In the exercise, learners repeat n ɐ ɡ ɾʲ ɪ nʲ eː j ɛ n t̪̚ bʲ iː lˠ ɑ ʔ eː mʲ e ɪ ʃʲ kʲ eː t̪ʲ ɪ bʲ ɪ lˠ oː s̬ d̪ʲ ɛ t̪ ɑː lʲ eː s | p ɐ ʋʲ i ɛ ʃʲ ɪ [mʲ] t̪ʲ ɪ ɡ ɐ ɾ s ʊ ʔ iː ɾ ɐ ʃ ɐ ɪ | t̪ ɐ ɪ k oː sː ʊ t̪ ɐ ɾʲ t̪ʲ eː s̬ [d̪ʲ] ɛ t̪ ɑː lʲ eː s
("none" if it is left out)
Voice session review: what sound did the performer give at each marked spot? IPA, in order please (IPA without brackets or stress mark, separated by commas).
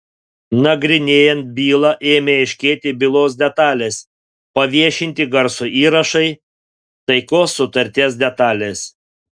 nʲ, d̪ʲ